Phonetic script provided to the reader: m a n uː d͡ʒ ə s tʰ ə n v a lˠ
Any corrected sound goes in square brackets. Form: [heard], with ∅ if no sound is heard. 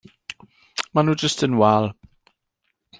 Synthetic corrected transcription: m a n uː d͡ʒ ə s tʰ ə n [w] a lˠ

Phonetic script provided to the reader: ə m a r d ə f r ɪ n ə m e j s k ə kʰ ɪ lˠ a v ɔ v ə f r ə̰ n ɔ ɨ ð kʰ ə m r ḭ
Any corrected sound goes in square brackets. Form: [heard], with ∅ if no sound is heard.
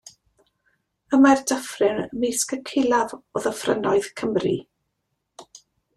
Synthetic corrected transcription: ə m a r d ə f r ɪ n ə m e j s k ə kʰ ɪ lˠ a v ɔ [ð] ə f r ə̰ n ɔ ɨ ð kʰ ə m r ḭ

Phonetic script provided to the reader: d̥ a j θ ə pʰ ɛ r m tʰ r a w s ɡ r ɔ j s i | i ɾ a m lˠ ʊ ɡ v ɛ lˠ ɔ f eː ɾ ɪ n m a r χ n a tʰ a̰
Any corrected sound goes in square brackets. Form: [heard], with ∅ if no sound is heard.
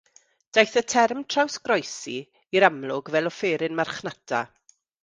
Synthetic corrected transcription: d̥ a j θ ə [tʰ] ɛ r m tʰ r a w s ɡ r ɔ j s i | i ɾ a m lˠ ʊ ɡ v ɛ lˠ ɔ f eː ɾ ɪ n m a r χ n a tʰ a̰

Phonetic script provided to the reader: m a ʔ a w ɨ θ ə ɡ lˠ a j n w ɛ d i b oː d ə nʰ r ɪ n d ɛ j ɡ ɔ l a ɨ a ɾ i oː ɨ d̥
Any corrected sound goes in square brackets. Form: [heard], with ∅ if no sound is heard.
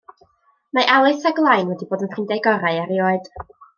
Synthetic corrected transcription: m a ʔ a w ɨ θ [a] ɡ lˠ a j n w ɛ d i b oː d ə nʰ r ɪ n d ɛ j ɡ ɔ [ɾ] a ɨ a ɾ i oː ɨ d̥

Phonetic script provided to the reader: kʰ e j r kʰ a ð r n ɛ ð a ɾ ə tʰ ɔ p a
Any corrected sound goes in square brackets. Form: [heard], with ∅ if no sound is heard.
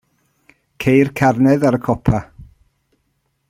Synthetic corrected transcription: kʰ e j r kʰ a [∅] r n ɛ ð a ɾ ə [kʰ] ɔ [pʰ] a

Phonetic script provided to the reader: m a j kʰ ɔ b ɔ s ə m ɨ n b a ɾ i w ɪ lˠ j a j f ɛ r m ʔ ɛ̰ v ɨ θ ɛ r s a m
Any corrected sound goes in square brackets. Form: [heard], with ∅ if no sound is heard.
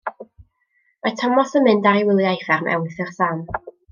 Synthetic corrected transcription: m a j [tʰ] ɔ [m] ɔ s ə m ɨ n [d] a ɾ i w ɪ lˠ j a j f ɛ r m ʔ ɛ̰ [w] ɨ θ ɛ r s a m

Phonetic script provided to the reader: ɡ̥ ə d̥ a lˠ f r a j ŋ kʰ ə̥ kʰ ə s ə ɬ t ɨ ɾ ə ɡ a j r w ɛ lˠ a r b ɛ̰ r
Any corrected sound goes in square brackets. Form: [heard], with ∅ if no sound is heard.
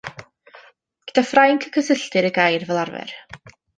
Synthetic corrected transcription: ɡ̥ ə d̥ a [∅] f r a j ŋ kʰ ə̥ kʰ ə s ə ɬ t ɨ ɾ ə ɡ a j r [v] ɛ lˠ a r [v] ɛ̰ r

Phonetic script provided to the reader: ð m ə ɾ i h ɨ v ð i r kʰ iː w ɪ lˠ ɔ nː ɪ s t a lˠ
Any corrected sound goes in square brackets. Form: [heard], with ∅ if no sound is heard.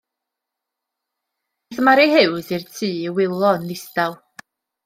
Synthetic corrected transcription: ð m [a] ɾ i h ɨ [w] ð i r [tʰ] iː w ɪ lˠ ɔ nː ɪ s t a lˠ

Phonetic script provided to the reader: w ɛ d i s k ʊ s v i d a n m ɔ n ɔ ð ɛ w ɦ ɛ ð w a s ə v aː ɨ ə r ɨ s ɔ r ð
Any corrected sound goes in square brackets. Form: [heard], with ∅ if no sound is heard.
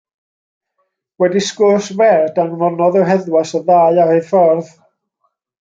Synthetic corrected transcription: w ɛ d i s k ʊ s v [ɛ] d a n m ɔ n ɔ ð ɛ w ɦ ɛ ð w a s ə [ð] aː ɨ [a] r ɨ [f] ɔ r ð

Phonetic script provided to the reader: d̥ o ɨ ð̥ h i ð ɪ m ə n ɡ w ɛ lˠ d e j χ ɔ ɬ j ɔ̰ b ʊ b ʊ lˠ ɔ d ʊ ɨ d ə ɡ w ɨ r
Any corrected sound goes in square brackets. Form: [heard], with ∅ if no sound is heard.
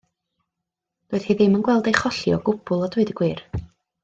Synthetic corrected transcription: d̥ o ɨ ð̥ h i ð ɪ m ə n ɡ w ɛ lˠ d e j χ ɔ ɬ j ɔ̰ [ɡ] ʊ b ʊ lˠ ɔ d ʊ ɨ d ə ɡ w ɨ r

